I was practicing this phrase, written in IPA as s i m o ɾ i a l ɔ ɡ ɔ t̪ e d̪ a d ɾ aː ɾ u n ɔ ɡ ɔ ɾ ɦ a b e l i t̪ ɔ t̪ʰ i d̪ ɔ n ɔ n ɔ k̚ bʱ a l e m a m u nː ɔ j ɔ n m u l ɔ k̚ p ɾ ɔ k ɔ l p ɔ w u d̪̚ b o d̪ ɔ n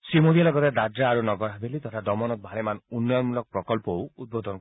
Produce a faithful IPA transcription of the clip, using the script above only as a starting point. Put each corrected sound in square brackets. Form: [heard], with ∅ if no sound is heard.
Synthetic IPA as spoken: s i m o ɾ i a l ɔ ɡ ɔ t̪ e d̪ a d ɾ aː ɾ u n ɔ ɡ ɔ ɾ ɦ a b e l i t̪ ɔ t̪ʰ [a] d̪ ɔ [m] ɔ n ɔ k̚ bʱ a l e m a [n] u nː ɔ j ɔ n m u l ɔ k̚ p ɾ ɔ k ɔ l p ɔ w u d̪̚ b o d̪ ɔ n